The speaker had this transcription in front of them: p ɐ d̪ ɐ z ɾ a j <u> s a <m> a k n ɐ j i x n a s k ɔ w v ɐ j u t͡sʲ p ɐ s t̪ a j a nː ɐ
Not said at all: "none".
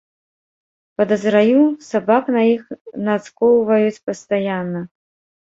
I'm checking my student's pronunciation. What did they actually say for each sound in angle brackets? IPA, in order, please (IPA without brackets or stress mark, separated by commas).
u, b